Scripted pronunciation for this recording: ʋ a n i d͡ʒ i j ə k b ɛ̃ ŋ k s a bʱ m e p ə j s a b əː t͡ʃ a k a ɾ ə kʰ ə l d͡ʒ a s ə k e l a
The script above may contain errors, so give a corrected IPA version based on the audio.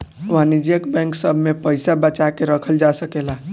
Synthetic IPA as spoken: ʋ a n i d͡ʒ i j ə k b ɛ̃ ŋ k s ə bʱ m e p ə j s a b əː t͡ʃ a k e ɾ ə kʰ ə l d͡ʒ a s ə k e l a